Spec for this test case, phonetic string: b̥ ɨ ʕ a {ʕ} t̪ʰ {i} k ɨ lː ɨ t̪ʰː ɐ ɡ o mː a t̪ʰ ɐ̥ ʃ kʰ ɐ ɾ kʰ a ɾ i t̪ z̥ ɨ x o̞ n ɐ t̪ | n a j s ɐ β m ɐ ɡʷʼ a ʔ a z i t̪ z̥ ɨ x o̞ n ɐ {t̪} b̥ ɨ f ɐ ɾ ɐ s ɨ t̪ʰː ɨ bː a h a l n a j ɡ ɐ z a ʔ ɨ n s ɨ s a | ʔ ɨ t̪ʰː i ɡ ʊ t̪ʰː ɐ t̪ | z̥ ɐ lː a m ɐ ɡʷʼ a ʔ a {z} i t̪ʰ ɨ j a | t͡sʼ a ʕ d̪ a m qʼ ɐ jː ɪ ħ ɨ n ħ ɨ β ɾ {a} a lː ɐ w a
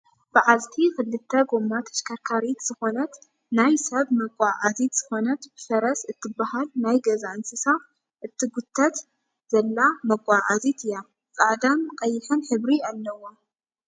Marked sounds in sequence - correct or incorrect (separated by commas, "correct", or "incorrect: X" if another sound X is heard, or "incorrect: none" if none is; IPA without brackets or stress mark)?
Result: incorrect: z, correct, correct, correct, incorrect: i